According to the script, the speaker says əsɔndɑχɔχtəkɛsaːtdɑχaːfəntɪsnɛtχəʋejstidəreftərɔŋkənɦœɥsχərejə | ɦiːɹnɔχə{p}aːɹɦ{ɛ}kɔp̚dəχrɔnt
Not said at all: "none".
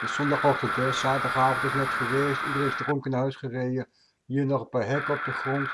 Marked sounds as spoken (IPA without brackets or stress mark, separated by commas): p, ɛ